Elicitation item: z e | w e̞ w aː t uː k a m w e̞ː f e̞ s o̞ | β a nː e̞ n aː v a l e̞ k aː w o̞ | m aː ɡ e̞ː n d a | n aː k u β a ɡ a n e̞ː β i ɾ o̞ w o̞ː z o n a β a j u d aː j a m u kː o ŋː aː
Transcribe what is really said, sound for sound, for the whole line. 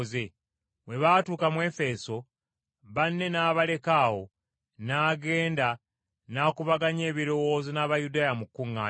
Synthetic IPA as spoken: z e | w e̞ β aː t uː k a m w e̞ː f e̞ s o̞ | β a nː e̞ n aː β a l e̞ k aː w o̞ | n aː ɡ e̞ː n d a | n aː k u β a ɡ a ɲ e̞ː β i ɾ o̞ w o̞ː z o n a β a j u d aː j a m u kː u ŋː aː

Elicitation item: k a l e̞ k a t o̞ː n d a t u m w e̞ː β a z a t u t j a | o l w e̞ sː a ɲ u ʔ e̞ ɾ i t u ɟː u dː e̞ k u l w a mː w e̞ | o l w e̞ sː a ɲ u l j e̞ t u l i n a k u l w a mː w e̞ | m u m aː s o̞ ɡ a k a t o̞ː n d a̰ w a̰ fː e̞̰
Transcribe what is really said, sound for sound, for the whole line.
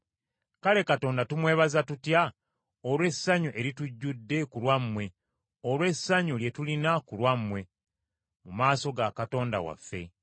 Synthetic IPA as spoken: k a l e̞ k a t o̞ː n d a t u m w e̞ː β a z a t u t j a | o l w e̞ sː a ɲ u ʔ e̞ ɾ i t u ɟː u dː e̞ k u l w a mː w e̞ | o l w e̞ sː a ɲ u l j e̞ t u l i n a k u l w a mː w e̞ | m u m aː s o̞ ɡ a k a t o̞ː n d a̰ w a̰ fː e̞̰

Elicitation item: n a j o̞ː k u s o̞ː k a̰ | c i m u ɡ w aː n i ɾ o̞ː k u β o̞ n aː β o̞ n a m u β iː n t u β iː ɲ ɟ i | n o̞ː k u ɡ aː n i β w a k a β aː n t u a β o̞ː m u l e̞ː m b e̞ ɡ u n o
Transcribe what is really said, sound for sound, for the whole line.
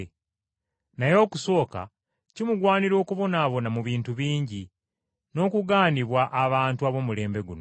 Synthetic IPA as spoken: n a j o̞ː k u s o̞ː k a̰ | c i m u ɡ w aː n i ɾ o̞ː k u β o̞ n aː β o̞ n a m u β iː n t u β iː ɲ ɟ i | n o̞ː k u ɡ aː n i β w a ʔ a β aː n t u a β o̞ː m u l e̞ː m b e̞ ɡ u n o

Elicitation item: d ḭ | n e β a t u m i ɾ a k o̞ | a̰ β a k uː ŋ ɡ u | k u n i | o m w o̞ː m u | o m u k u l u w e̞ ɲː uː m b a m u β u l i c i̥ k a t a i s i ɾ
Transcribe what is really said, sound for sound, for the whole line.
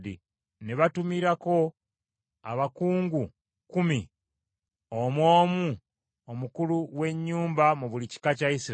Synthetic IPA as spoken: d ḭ | n e β a t u m i ɾ a k o̞ | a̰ β a k uː ŋ ɡ u | k u m i | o m w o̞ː m u | o m u k u l u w e̞ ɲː uː m b a m u β u l i c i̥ k a c a i s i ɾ

